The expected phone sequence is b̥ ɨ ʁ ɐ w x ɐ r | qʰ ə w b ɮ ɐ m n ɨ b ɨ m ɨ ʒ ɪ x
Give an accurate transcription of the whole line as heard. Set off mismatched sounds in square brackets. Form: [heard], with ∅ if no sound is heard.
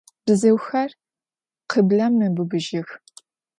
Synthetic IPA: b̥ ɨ [z] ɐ w x ɐ r | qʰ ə [∅] b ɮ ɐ m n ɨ b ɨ [b] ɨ ʒ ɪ x